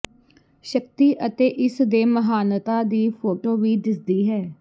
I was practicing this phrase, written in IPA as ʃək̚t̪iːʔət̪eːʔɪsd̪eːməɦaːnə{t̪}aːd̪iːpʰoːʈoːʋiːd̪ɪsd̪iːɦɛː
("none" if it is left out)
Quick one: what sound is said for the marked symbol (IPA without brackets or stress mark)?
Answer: t̪